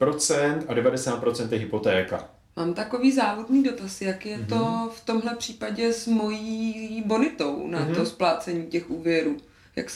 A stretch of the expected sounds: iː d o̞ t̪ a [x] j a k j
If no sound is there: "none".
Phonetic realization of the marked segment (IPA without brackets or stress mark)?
s